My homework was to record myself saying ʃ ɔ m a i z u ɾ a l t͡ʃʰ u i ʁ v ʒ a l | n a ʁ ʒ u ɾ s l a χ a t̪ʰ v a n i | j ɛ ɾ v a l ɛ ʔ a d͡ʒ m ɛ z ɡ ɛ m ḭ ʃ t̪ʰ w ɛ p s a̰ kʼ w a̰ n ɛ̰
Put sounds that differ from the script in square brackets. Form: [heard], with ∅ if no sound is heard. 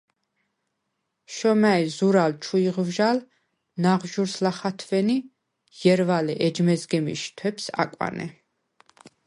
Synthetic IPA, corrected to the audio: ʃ ɔ m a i z u ɾ a l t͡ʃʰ u i ʁ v ʒ a l | n a ʁ ʒ u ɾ s l a χ a t̪ʰ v [ɛ] n i | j ɛ ɾ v a l ɛ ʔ [ɛ] d͡ʒ m ɛ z ɡ ɛ m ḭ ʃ t̪ʰ w ɛ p s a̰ kʼ w a̰ n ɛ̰